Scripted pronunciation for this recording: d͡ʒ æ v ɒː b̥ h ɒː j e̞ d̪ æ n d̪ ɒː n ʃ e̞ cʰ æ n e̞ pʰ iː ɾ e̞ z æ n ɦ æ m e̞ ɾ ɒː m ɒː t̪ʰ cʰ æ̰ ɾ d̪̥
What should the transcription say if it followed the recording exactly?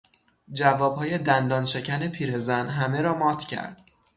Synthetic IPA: d͡ʒ æ v ɒː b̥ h ɒː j e̞ d̪ æ n d̪ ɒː n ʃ e̞ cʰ æ n e̞ pʰ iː ɾ e̞ z æ n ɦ æ m e̞ ɾ ɒː m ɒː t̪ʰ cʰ æ̰ ɾ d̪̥